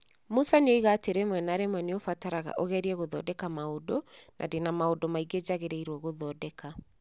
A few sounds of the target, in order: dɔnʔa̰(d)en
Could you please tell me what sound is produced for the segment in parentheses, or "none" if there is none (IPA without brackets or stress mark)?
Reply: d